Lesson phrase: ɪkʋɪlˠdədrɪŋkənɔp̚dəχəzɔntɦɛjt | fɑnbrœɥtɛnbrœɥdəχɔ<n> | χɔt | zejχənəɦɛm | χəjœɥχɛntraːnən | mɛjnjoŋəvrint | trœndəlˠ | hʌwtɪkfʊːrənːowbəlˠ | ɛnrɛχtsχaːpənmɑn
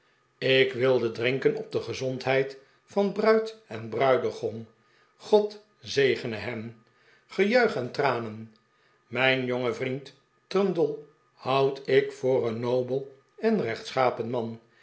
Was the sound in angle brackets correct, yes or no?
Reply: yes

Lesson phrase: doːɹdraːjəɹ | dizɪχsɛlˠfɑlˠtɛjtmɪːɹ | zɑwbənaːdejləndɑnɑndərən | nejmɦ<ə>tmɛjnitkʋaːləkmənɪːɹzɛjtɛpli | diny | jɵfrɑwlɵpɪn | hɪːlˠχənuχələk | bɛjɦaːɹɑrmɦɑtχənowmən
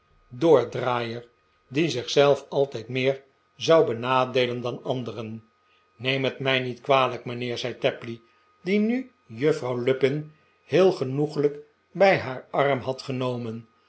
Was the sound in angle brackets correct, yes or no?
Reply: yes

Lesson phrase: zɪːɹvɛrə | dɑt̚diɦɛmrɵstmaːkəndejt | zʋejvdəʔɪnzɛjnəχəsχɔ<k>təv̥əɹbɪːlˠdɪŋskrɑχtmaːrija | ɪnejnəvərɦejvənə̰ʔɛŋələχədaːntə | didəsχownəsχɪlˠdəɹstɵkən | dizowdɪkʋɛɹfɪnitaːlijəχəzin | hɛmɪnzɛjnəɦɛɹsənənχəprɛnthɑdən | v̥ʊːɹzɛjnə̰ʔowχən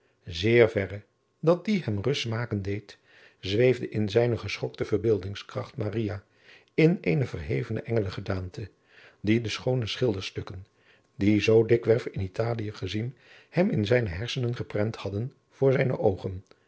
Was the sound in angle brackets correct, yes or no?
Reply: yes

